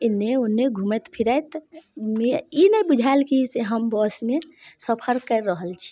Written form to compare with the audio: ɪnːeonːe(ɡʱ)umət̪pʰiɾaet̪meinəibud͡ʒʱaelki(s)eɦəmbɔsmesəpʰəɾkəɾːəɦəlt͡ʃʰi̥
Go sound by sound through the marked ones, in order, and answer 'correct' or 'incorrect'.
correct, correct

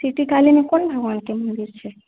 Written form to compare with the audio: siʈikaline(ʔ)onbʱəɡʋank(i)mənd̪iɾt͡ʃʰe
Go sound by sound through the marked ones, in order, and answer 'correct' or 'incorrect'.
incorrect: k, incorrect: e

